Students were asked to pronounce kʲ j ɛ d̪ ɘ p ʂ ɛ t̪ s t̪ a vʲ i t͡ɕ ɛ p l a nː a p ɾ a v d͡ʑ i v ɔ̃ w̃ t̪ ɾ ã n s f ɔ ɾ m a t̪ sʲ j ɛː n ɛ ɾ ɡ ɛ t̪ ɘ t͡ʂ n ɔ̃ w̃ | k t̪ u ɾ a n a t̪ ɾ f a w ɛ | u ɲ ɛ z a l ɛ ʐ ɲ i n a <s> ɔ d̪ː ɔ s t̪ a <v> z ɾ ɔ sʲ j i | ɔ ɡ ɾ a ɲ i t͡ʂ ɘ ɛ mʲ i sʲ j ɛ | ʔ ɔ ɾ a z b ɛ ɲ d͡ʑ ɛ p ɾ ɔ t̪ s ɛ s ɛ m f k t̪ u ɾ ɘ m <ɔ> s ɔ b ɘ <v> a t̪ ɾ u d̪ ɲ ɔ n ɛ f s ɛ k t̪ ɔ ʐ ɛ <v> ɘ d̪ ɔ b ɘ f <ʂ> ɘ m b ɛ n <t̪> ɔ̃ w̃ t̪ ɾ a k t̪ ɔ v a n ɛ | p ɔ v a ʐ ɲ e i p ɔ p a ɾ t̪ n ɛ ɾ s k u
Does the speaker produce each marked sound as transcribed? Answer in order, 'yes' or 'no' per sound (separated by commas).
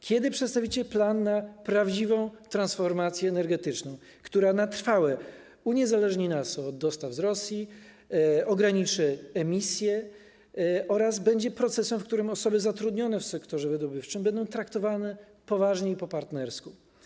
yes, yes, yes, no, yes, no, no